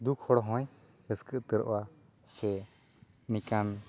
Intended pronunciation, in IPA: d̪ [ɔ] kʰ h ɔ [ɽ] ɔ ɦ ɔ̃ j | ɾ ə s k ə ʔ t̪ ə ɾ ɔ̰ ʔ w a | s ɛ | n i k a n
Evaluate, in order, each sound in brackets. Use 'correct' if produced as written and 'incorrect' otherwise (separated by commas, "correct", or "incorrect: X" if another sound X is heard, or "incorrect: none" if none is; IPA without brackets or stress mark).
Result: incorrect: u, correct